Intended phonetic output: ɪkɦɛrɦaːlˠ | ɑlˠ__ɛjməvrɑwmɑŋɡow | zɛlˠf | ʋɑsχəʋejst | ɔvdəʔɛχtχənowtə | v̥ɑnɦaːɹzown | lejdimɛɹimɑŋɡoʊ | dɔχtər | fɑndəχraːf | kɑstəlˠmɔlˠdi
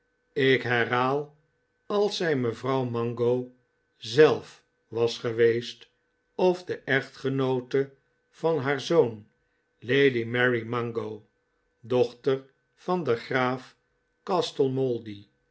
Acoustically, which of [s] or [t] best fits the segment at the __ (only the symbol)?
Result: s